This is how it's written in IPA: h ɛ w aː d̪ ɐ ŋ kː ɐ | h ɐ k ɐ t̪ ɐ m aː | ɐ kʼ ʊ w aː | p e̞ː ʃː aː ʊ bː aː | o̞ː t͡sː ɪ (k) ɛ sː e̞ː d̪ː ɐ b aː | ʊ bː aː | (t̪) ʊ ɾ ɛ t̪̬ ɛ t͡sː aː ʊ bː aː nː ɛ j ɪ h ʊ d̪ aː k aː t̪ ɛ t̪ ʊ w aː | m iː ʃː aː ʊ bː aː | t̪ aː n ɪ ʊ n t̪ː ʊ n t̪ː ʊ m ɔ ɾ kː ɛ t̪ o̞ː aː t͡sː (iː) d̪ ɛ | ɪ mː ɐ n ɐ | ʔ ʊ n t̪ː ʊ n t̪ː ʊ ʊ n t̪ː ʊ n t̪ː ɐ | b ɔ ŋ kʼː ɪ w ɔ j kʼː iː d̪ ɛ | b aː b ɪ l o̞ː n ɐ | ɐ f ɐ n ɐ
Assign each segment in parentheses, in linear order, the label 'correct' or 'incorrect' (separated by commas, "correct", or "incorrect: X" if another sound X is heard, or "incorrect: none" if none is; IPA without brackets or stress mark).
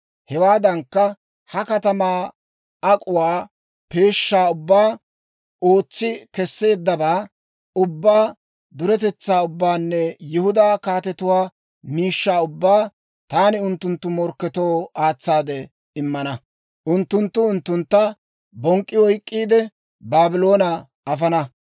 correct, incorrect: d̪, incorrect: aː